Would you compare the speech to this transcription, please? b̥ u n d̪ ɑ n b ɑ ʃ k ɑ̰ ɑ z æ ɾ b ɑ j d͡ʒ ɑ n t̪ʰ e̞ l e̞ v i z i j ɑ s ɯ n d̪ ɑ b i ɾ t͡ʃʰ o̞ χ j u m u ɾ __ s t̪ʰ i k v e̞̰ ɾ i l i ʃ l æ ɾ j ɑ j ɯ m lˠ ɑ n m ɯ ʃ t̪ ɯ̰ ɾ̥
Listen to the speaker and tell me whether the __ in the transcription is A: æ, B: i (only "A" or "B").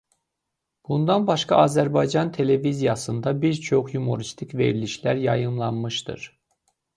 B